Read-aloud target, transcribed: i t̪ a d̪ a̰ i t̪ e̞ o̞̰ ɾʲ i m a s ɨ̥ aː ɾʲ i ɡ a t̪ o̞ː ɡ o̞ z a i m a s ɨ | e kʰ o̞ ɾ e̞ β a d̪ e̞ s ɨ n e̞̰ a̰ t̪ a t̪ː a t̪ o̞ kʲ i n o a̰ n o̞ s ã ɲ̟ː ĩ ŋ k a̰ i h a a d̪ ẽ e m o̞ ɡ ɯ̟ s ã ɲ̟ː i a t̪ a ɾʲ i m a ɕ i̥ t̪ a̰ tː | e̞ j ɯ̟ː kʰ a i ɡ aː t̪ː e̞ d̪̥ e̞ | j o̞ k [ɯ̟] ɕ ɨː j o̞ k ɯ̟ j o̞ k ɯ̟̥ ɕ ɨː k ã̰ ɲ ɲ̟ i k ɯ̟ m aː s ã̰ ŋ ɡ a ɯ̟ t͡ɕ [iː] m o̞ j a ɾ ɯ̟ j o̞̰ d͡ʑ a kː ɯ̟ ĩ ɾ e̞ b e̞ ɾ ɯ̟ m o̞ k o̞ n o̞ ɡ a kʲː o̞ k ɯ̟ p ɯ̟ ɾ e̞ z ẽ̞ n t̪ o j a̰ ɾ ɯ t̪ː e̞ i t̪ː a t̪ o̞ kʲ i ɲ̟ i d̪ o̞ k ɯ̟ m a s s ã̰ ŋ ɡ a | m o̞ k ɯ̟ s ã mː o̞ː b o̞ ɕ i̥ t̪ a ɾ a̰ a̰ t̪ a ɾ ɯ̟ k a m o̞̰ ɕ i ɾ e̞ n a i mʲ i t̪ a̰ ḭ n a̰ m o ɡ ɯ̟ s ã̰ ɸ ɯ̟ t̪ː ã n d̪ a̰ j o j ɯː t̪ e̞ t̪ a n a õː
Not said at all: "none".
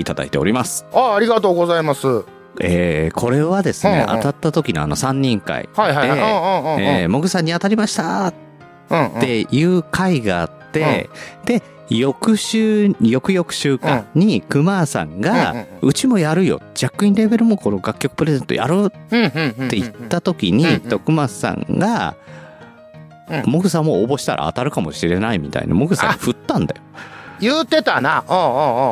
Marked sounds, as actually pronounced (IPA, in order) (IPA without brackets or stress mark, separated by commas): ɯ̟, i